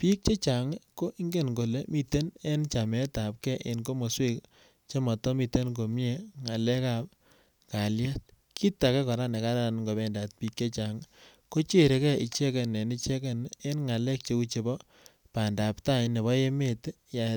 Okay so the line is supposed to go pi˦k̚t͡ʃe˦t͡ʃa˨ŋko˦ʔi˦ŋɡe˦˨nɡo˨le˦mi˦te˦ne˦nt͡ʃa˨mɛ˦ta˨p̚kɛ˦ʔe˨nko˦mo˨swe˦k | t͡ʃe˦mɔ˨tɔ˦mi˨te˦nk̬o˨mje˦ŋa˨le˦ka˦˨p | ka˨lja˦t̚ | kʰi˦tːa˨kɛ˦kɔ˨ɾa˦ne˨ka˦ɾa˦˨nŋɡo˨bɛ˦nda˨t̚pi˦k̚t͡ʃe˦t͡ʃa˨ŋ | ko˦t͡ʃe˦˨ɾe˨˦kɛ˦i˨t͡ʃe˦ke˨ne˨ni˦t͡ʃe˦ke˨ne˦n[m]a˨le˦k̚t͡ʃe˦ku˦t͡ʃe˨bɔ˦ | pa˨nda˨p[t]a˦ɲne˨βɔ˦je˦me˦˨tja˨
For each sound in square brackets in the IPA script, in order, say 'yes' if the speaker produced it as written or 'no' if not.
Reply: no, yes

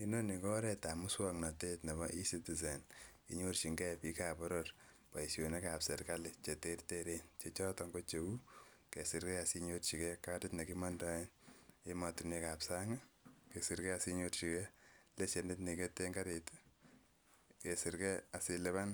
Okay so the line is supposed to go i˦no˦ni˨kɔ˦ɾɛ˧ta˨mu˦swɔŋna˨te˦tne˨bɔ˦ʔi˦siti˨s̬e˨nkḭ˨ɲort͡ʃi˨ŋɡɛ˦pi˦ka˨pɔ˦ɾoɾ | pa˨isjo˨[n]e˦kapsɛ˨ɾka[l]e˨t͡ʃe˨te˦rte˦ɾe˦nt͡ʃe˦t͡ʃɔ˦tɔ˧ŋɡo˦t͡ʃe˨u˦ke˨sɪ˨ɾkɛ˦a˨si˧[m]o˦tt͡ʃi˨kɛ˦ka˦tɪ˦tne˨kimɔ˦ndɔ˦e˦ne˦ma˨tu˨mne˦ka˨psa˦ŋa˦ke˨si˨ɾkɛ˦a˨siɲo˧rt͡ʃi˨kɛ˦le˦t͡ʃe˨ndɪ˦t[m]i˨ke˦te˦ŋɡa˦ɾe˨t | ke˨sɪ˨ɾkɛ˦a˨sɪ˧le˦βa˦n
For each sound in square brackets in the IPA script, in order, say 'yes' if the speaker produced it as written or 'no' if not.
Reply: yes, yes, no, no

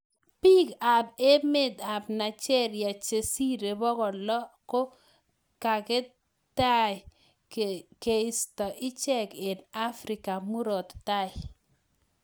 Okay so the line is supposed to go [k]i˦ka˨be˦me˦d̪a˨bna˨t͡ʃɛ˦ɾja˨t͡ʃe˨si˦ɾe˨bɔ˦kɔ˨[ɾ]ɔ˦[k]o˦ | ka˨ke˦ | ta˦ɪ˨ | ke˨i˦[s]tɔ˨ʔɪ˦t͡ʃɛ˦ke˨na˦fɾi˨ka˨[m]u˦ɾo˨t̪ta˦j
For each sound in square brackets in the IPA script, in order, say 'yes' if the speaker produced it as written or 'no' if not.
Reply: no, no, yes, yes, yes

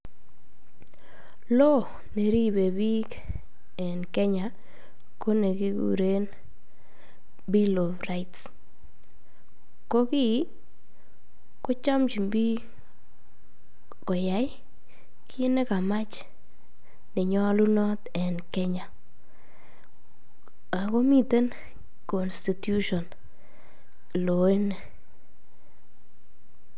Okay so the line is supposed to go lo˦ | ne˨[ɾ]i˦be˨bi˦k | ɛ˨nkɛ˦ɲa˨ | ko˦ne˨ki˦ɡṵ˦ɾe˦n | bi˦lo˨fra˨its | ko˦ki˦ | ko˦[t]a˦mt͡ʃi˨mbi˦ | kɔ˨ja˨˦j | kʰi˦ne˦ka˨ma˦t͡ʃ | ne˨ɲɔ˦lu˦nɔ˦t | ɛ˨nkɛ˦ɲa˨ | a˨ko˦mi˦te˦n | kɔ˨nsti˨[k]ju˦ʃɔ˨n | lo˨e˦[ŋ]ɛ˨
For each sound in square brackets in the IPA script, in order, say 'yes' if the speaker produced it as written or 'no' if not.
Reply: yes, no, no, no

